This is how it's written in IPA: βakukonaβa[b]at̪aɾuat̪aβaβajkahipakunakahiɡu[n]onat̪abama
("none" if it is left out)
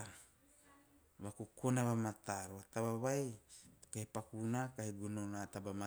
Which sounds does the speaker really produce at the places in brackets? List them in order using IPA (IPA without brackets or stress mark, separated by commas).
m, n